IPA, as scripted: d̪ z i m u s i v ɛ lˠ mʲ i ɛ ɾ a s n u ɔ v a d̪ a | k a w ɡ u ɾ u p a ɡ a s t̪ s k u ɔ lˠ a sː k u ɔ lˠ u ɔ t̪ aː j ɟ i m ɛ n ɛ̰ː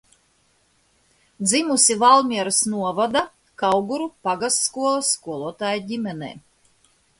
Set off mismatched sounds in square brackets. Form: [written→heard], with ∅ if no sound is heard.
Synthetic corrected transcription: d̪ z i m u s i v [ɛ→a] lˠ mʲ i ɛ ɾ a s n u ɔ v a d̪ a | k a w ɡ u ɾ u p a ɡ a s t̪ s k u ɔ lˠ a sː k u ɔ lˠ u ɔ t̪ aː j ɟ i m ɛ n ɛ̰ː